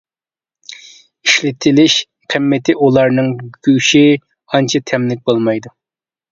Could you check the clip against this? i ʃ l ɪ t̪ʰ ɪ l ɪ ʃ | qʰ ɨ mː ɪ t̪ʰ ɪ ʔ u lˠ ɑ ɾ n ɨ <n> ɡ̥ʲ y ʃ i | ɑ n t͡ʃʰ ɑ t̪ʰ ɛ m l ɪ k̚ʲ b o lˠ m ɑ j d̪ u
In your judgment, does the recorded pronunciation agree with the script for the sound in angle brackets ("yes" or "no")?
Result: no